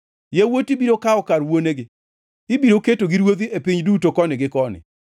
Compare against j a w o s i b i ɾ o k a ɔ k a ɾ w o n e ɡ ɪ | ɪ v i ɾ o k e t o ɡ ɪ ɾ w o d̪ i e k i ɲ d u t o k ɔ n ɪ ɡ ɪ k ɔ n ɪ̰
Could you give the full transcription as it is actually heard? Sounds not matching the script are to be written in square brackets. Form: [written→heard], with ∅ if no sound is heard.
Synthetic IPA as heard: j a w o [s→t] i b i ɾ o k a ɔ k a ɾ w o n e ɡ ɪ | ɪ [v→b] i ɾ o k e t o ɡ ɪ ɾ w o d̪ i e [k→p] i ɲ d u t o k ɔ n ɪ ɡ ɪ k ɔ n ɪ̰